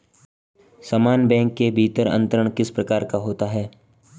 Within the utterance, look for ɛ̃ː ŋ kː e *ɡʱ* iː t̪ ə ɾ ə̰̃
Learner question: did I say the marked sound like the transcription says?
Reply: no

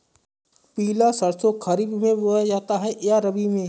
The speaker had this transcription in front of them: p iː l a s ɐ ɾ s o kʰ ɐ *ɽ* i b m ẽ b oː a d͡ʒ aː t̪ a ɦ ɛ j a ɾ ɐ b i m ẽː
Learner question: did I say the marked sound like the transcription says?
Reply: no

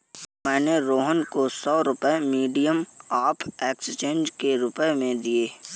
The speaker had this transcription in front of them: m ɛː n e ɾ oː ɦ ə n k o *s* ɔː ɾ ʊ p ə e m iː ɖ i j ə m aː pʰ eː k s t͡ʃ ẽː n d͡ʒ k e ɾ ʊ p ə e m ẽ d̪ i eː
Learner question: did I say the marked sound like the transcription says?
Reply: yes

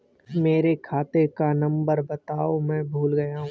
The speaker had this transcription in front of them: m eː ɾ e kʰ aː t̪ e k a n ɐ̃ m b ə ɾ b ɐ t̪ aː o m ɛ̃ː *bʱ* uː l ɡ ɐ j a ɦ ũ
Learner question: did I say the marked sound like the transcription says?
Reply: yes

